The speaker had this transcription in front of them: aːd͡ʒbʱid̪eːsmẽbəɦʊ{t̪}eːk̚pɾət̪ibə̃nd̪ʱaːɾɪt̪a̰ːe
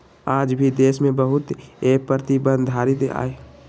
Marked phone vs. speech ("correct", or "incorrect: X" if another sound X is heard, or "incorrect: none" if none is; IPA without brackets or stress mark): correct